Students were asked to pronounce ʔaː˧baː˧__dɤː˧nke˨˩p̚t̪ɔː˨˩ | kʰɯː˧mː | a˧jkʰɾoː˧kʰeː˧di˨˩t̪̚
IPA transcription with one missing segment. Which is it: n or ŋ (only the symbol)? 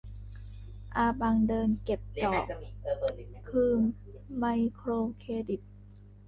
ŋ